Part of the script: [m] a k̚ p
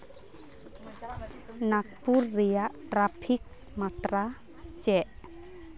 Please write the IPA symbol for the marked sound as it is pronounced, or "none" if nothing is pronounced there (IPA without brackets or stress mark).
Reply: n